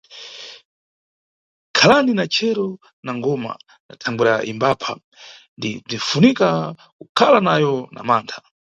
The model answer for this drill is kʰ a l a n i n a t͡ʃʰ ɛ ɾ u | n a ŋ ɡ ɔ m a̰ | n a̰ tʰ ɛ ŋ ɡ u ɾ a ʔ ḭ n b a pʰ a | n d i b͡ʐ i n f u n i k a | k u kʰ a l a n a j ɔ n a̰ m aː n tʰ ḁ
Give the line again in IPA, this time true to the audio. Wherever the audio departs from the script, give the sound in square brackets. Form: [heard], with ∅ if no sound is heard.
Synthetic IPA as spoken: kʰ a l a n i n a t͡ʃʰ ɛ ɾ [ɔ] | n a ŋ ɡ ɔ m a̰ | n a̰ tʰ [a] ŋ ɡ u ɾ a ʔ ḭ [m] b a pʰ a | n d i b͡ʐ i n f u n i k a | k u kʰ a l a n a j ɔ n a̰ m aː n tʰ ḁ

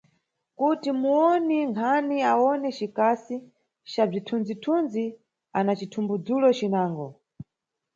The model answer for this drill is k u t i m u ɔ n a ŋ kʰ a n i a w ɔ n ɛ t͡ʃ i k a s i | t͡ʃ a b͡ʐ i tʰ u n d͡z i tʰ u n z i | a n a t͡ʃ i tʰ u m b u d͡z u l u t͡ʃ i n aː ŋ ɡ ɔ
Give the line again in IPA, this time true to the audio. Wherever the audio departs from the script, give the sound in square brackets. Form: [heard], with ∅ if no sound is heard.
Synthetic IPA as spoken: k u t i m u ɔ n [i] ŋ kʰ a n i a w ɔ n ɛ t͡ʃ i k a s i | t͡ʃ a b͡ʐ i tʰ u n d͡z i tʰ u n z i | a n a t͡ʃ i tʰ u m b u d͡z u l [ɔ] t͡ʃ i n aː ŋ ɡ ɔ

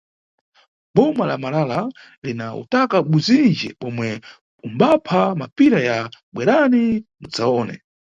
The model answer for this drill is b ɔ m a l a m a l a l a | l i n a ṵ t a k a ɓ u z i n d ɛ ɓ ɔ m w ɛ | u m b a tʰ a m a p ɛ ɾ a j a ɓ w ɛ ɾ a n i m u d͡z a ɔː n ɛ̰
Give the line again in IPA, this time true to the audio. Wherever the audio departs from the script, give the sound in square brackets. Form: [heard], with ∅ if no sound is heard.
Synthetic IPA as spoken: b ɔ m a l a m a l a l a | l i n a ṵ t a k a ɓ u z i n [d͡ʒ] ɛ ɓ ɔ m w ɛ | u m b a [pʰ] a m a p [i] ɾ a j a ɓ w ɛ ɾ a n i m u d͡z a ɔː n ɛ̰

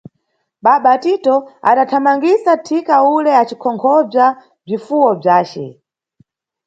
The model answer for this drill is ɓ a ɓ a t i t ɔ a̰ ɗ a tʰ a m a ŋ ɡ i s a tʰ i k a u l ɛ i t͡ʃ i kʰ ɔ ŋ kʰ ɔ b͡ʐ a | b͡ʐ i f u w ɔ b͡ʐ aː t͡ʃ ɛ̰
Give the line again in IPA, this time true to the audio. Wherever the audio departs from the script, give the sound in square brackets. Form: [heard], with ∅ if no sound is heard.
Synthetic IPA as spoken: ɓ a ɓ a t i t ɔ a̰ ɗ a tʰ a m a ŋ ɡ i s a tʰ i k a u l ɛ [a] t͡ʃ i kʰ ɔ ŋ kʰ ɔ b͡ʐ a | b͡ʐ i f u w ɔ b͡ʐ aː t͡ʃ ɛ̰

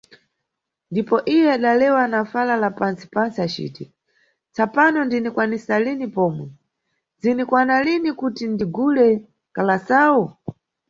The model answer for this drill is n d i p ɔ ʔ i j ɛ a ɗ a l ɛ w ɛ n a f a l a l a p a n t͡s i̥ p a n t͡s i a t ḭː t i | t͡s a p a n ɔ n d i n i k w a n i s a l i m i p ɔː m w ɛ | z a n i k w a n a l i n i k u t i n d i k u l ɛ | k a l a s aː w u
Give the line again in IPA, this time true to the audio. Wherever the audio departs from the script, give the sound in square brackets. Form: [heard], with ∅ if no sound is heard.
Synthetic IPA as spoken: n d i p ɔ ʔ i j ɛ a ɗ a l ɛ w [a] n a f a l a l a p a n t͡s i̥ p a n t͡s i a [t͡ʃ] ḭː t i | t͡s a p a n ɔ n d i n i k w a n i s a l i [n] i p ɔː m w ɛ | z [i] n i k w a n a l i n i k u t i n d i [ɡ] u l ɛ | k a l a s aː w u

